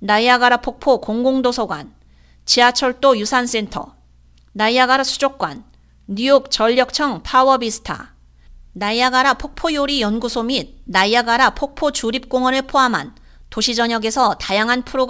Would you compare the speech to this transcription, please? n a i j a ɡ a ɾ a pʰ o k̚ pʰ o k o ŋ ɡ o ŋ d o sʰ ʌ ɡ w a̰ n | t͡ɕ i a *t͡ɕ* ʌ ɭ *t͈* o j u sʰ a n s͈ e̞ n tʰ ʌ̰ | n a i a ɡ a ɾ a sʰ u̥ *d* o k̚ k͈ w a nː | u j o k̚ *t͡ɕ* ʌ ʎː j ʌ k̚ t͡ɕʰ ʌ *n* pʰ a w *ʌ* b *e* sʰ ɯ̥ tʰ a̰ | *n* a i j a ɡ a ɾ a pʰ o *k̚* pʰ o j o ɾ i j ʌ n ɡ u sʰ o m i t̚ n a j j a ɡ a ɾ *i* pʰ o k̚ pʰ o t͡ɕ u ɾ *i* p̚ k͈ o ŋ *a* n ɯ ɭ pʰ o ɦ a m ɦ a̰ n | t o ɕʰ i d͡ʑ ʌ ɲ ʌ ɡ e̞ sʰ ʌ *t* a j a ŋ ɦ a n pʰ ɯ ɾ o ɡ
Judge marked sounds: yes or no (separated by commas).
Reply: no, yes, no, yes, no, yes, no, yes, yes, no, yes, no, yes